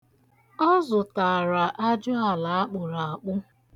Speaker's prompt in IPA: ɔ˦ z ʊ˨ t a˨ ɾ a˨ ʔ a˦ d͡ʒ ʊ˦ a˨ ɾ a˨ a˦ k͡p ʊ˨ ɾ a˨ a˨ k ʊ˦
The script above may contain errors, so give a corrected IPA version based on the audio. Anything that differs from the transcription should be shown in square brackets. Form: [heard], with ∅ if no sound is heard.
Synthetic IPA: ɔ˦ z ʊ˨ t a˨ ɾ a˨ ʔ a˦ d͡ʒ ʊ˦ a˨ [l] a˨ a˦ k͡p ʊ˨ ɾ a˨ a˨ [k͡p] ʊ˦